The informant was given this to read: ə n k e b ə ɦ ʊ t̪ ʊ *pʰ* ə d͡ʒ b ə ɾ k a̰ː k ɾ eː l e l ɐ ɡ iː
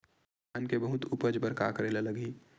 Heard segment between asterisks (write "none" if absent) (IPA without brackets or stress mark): p